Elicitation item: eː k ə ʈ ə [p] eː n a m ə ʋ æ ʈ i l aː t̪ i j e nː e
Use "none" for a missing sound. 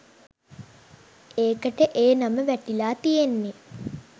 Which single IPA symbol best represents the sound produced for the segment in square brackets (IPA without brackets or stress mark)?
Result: ʔ